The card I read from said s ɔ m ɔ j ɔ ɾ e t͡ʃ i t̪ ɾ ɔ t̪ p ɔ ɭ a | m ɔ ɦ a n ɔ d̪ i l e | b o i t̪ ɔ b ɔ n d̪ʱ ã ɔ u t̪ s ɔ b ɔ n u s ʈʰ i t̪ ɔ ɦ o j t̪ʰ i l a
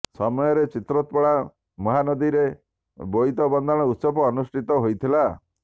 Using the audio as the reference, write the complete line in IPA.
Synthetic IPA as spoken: s ɔ m ɔ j ɔ ɾ e t͡ʃ i t̪ ɾ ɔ t̪ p ɔ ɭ a | m ɔ ɦ a n ɔ d̪ i ɾ e | b o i t̪ ɔ b ɔ n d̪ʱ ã ɔ u t̪ s ɔ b ɔː n u s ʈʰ i t̪ ɔ ɦ o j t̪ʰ i l a